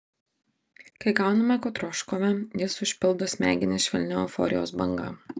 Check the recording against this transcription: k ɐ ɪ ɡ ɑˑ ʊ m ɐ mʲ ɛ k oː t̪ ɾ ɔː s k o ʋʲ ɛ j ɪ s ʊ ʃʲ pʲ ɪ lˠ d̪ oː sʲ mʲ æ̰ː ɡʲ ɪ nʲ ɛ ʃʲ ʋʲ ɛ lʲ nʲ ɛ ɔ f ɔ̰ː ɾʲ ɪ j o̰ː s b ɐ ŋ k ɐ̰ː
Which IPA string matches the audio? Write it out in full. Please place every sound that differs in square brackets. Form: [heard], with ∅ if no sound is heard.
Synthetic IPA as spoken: k ɐ ɪ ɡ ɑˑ ʊ [n] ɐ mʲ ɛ k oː t̪ ɾ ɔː [ʃ] k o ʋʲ ɛ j ɪ s ʊ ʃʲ pʲ ɪ lˠ d̪ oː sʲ mʲ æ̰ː ɡʲ ɪ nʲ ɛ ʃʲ ʋʲ ɛ lʲ nʲ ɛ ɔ f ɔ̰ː ɾʲ ɪ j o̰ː s b ɐ ŋ [ɡ] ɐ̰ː